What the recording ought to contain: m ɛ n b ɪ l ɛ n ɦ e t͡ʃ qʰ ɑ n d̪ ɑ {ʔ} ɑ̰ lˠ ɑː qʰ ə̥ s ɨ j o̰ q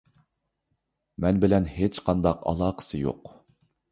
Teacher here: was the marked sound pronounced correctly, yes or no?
no